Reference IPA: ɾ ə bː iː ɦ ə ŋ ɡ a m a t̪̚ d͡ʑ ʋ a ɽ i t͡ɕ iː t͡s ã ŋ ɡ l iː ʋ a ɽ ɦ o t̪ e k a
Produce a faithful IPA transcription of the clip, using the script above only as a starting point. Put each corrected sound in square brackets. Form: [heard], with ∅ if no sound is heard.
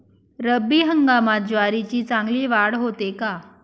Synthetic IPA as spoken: ɾ ə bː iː ɦ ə ŋ ɡ a m a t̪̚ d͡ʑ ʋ a [ɾ] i t͡ɕ iː t͡s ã ŋ ɡ l iː ʋ a ɽ ɦ o t̪ e k a